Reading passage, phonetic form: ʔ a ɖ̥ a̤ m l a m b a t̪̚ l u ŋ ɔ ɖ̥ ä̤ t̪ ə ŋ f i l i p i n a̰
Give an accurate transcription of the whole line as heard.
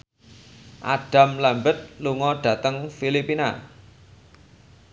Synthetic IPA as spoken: ʔ a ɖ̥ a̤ m l a m b ə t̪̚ l u ŋ ɔ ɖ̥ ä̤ t̪ ə ŋ f i l i p i n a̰